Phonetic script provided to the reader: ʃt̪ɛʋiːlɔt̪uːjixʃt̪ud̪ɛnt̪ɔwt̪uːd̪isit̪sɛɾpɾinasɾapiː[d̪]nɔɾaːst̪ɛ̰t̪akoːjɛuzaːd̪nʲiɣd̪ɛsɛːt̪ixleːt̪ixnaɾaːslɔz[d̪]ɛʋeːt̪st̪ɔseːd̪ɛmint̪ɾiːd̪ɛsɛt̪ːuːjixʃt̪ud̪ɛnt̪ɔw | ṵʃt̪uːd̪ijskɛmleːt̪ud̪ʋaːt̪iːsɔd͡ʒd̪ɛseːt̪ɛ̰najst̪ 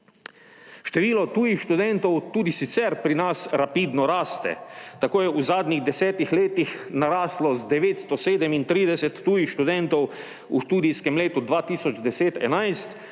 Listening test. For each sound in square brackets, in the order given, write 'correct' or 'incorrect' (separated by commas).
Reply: correct, correct